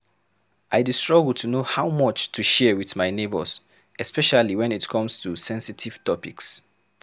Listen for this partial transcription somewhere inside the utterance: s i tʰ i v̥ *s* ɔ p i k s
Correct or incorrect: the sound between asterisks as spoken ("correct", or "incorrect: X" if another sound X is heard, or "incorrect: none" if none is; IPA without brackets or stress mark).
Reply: incorrect: t